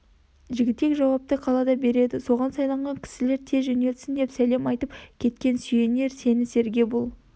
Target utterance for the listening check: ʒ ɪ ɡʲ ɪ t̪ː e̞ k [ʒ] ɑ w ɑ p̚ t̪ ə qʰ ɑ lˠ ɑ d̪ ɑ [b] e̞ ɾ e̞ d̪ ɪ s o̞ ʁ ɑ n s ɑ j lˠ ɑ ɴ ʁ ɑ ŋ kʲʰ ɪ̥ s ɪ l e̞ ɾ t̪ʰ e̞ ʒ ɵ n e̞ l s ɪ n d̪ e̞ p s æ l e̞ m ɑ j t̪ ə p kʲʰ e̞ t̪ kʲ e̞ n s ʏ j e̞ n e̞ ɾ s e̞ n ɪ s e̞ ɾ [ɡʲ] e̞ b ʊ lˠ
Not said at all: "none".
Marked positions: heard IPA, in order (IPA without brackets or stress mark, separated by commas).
ʒ, b, ɡʲ